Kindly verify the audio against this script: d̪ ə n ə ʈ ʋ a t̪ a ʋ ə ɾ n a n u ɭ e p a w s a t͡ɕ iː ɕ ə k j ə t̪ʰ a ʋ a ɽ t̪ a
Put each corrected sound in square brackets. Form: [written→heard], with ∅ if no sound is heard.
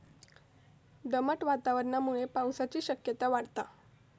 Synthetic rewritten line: d̪ ə [n→m] ə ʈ ʋ a t̪ a ʋ ə ɾ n a [n→m] u ɭ e p a w s a t͡ɕ iː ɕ ə k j ə [t̪ʰ→t̪] a ʋ a ɽ t̪ a